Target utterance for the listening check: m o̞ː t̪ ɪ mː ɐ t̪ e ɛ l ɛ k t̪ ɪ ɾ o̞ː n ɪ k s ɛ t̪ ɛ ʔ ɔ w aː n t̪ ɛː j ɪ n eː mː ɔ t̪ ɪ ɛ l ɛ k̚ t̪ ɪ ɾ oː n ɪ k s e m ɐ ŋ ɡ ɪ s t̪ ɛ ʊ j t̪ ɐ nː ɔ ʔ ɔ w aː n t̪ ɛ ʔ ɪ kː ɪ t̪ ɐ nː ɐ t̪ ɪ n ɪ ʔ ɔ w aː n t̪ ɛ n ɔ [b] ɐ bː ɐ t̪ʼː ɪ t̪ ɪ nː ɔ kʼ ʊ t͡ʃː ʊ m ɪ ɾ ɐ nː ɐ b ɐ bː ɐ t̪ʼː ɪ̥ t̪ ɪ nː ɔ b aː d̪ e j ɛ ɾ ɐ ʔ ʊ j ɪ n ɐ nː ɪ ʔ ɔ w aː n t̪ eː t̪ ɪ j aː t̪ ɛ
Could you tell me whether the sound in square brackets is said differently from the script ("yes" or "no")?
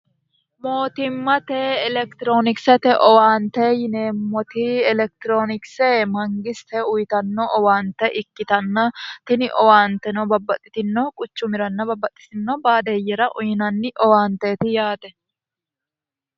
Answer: no